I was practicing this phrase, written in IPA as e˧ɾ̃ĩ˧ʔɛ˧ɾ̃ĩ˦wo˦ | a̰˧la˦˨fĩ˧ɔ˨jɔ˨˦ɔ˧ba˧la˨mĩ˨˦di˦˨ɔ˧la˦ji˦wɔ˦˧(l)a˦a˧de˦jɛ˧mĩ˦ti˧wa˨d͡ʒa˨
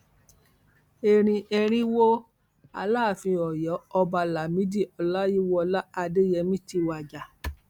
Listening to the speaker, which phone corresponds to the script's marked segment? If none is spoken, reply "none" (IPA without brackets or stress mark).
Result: l